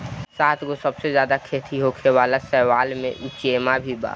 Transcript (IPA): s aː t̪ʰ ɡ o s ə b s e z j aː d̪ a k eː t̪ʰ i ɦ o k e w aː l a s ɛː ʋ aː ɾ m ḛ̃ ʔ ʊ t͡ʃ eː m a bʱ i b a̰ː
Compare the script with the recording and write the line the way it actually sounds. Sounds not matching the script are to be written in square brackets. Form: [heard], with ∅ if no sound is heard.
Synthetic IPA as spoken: s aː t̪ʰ ɡ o s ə b s e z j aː d̪ a [kʰ] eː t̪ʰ i ɦ o [kʰ] e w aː l a s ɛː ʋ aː [l] m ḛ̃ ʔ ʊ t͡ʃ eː m a bʱ i b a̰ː

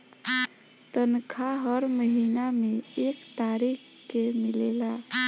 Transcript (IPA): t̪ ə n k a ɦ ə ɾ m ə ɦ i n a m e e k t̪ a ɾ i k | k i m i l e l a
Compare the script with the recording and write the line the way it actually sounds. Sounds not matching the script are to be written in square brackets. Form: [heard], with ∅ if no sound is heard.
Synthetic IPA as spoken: t̪ ə n [kʰ] a ɦ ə ɾ m ə ɦ i n a m e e k t̪ a ɾ i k | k [e] m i l e l a

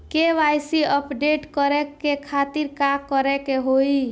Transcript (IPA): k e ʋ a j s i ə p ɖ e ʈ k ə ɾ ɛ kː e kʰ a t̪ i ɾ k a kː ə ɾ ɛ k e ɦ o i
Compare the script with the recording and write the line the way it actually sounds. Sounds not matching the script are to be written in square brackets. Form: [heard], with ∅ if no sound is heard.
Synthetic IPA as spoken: k e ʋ a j s i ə p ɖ e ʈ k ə ɾ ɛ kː e kʰ a t̪ i ɾ k a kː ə ɾ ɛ k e ɦ o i

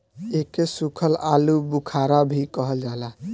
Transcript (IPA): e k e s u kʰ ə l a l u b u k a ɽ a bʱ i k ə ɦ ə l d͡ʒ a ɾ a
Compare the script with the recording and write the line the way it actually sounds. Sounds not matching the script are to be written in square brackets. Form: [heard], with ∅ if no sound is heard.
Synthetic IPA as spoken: e k e s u kʰ ə l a l u b u [kʰ] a [ɾ] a bʱ i k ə ɦ ə l d͡ʒ a [l] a

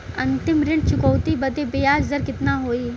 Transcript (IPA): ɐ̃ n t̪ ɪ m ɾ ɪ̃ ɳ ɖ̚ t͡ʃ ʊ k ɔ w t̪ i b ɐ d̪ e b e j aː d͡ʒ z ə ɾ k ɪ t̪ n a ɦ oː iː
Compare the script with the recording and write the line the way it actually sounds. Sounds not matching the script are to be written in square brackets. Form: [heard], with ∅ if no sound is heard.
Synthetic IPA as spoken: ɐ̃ n t̪ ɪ m ɾ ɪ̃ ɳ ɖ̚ t͡ʃ ʊ k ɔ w t̪ i b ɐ d̪ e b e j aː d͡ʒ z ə ɾ k ɪ t̪ n a ɦ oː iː

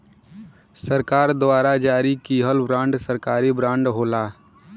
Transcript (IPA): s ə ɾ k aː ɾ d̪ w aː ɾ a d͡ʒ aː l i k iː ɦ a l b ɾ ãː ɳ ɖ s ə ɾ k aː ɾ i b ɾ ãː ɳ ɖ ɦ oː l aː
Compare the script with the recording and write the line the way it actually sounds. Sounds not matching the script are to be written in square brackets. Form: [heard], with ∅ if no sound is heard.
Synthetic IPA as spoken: s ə ɾ k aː ɾ d̪ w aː ɾ a d͡ʒ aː [ɾ] i k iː ɦ [ə] l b ɾ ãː ɳ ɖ s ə ɾ k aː ɾ i b ɾ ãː ɳ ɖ ɦ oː l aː

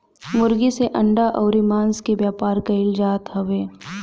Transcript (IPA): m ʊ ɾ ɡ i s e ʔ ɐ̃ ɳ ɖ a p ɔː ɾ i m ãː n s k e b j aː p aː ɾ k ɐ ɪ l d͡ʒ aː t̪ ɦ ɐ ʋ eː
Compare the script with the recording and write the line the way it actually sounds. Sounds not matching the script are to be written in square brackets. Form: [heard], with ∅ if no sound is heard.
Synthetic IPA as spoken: m ʊ ɾ ɡ i s e ʔ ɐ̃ ɳ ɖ a [ʔ] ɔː ɾ i m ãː n s k e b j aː p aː ɾ k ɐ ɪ l d͡ʒ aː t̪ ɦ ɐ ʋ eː

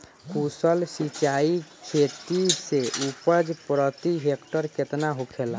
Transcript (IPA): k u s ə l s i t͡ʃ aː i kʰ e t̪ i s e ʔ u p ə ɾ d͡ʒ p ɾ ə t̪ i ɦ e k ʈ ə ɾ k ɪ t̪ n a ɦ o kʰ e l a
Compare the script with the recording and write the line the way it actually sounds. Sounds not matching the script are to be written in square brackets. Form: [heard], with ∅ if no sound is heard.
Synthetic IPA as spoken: k u s ə l s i t͡ʃ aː i kʰ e t̪ i s e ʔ u p ə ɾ d͡ʒ p ɾ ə t̪ i ɦ e k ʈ ə ɾ k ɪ t̪ n a ɦ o kʰ e l a

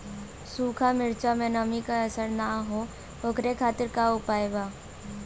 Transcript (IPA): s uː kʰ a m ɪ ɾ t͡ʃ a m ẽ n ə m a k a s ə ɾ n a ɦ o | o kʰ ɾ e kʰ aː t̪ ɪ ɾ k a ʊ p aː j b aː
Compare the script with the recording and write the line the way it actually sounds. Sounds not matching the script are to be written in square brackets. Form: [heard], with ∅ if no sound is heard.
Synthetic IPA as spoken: s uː kʰ a m ɪ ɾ t͡ʃ a m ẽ n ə m [i] k a s ə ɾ n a ɦ o | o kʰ ɾ e kʰ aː t̪ ɪ ɾ k a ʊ p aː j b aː

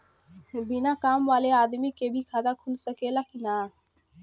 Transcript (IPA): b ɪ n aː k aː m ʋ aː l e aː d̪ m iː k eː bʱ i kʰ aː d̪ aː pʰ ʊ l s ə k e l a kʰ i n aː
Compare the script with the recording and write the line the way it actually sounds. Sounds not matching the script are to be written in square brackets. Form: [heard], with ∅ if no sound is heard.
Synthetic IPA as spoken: b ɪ n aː k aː m ʋ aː l e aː d̪ m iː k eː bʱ i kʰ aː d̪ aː [kʰ] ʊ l s ə k e l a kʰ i n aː

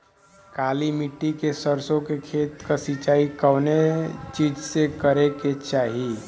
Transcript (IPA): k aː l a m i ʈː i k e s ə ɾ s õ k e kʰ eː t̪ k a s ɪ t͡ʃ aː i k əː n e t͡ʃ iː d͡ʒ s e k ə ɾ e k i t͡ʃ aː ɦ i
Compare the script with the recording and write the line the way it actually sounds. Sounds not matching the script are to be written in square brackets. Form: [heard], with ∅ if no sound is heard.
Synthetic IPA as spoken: k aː l [i] m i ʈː i k e s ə ɾ s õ k e kʰ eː t̪ k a s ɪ t͡ʃ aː i k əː n e t͡ʃ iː d͡ʒ s e k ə ɾ e k [e] t͡ʃ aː ɦ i

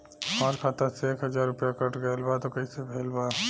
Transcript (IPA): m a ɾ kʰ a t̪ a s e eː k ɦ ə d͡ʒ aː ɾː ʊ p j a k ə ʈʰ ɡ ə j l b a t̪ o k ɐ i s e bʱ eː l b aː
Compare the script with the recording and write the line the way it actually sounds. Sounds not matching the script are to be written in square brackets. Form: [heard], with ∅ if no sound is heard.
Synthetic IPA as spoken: m a ɾ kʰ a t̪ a s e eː k ɦ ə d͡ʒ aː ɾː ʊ p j a k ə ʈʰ ɡ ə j l b a t̪ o k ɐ i s e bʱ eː l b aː

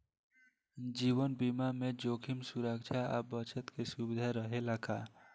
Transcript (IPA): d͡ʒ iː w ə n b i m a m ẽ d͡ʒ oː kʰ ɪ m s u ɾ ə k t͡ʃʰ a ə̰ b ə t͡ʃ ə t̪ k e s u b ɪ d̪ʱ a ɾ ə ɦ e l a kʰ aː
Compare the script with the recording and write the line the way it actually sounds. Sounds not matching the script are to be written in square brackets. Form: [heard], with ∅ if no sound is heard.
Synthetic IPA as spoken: d͡ʒ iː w ə n b i m a m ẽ d͡ʒ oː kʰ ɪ m s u ɾ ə k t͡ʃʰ a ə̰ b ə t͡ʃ ə t̪ k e s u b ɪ d̪ʱ a ɾ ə ɦ e l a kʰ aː

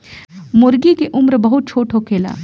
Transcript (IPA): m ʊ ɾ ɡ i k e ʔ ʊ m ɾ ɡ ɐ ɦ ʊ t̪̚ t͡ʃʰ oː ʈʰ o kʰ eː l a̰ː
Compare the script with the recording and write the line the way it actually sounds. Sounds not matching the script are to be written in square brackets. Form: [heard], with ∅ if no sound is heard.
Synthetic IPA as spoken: m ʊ ɾ ɡ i k e ʔ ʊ m ɾ [b] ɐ ɦ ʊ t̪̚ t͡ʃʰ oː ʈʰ o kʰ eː l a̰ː

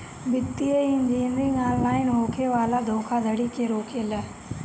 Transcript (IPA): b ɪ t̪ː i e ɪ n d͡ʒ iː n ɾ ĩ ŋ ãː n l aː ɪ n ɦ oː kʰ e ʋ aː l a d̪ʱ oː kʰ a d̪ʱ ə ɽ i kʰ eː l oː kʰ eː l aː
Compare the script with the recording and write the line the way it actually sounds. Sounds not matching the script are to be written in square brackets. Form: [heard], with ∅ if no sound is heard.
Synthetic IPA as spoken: b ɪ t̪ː i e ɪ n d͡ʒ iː n ɾ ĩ ŋ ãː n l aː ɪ n ɦ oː kʰ e ʋ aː l a d̪ʱ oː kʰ a d̪ʱ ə ɽ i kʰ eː [ɾ] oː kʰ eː l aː

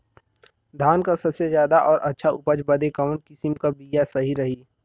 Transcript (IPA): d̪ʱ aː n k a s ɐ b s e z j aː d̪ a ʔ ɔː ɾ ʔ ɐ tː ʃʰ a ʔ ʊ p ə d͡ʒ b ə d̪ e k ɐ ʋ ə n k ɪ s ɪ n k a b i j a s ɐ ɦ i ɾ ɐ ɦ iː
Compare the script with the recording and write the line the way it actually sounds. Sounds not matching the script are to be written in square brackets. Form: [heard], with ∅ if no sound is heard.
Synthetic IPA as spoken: d̪ʱ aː n k a s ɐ b s e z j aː d̪ a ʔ ɔː ɾ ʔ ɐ tː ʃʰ a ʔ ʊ p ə d͡ʒ b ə d̪ e k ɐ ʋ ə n k ɪ s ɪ [m] k a b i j a s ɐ ɦ i ɾ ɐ ɦ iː

